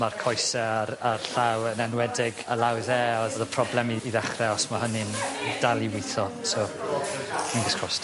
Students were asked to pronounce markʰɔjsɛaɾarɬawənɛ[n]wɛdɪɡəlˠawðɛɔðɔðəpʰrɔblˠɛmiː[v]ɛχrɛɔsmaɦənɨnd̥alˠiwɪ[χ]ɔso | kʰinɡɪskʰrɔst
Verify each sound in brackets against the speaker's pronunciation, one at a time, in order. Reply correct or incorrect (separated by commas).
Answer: correct, incorrect, incorrect